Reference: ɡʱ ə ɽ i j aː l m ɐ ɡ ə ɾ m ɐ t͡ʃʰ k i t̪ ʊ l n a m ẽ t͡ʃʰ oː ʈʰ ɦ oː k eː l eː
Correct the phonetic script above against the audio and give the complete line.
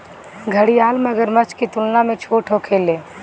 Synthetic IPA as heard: ɡʱ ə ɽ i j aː l m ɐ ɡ ə ɾ m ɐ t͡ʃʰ k i t̪ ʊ l n a m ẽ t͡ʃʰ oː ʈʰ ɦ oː kʰ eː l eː